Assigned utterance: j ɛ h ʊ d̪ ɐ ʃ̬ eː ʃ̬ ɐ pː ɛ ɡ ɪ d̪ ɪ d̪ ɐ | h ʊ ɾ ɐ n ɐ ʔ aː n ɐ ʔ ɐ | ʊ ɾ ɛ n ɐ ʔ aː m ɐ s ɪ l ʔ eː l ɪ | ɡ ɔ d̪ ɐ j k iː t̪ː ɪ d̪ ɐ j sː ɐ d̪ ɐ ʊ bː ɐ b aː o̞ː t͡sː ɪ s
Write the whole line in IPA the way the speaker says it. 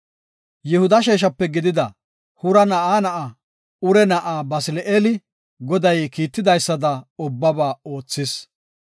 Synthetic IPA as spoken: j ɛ h ʊ d̪ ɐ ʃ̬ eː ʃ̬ ɐ pː ɛ ɡ ɪ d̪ ɪ d̪ ɐ | h ʊ ɾ ɐ n ɐ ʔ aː n ɐ ʔ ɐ | ʊ ɾ ɛ n ɐ ʔ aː b ɐ s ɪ l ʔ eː l ɪ | ɡ ɔ d̪ ɐ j k iː t̪ː ɪ d̪ ɐ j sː ɐ d̪ ɐ ʊ bː ɐ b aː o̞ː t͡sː ɪ s